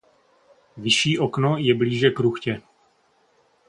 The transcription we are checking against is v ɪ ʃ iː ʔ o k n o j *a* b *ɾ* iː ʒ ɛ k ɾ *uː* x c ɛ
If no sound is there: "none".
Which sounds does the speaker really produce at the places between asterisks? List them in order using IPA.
ɛ, l, u

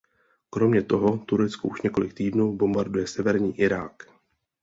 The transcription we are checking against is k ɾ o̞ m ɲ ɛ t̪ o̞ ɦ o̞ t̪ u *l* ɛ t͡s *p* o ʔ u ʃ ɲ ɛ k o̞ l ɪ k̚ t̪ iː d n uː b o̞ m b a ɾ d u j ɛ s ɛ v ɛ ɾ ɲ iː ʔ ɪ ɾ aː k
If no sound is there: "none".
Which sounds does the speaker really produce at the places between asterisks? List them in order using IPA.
ɾ, k

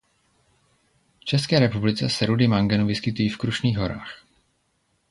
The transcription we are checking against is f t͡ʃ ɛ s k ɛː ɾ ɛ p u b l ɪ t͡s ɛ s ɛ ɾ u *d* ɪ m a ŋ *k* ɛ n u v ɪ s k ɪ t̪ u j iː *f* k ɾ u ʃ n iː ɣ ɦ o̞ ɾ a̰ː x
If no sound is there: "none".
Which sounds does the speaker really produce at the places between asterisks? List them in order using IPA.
d, ɡ, f

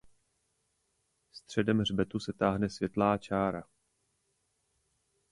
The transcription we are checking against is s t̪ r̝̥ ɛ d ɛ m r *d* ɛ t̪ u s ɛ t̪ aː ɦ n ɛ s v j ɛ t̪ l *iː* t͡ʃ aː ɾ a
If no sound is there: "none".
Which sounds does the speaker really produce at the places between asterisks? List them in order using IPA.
b, aː

